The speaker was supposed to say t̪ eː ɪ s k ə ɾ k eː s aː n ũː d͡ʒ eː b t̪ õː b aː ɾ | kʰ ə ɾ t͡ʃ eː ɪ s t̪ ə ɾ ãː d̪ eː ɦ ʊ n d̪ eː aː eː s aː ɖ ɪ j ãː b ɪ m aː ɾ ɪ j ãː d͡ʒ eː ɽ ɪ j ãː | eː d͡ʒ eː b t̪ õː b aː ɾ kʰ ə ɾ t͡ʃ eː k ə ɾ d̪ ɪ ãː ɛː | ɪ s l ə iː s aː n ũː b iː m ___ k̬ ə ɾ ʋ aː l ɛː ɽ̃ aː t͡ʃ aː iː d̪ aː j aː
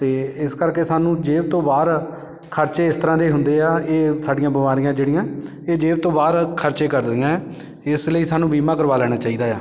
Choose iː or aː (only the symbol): aː